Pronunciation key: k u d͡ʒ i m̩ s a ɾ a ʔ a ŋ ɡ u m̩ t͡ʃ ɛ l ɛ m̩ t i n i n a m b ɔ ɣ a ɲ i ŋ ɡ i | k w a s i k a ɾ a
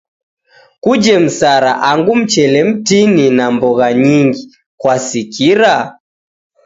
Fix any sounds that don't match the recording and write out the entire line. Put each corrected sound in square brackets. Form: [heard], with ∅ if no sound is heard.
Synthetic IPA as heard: k u d͡ʒ [ɛ] m̩ s a ɾ a ʔ a ŋ ɡ u m̩ t͡ʃ ɛ l ɛ m̩ t i n i n a m b ɔ ɣ a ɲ i ŋ ɡ i | k w a s i k [i] ɾ a